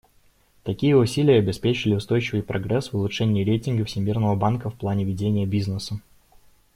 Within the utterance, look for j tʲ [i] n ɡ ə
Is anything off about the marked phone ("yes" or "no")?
yes